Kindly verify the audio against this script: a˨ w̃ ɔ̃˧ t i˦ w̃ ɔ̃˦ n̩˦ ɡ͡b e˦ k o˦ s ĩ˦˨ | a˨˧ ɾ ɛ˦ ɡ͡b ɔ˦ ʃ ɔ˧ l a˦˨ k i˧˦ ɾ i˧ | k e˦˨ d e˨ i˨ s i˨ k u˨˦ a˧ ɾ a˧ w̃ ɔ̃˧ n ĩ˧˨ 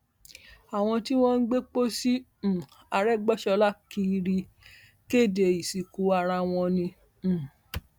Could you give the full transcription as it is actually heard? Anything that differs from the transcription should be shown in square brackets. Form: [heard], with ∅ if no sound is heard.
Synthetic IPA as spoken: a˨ w̃ ɔ̃˧ t i˦ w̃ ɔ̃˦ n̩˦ ɡ͡b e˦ [k͡p] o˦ s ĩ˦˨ | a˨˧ ɾ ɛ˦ ɡ͡b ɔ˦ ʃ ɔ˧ l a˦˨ k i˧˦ ɾ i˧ | k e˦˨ d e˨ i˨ s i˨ k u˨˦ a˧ ɾ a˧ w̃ ɔ̃˧ n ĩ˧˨